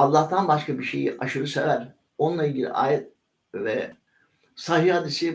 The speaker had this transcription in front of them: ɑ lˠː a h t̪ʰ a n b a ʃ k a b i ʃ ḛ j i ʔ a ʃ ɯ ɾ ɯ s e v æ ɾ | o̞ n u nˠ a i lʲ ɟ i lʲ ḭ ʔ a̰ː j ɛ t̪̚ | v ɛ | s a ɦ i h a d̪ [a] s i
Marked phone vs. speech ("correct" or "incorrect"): incorrect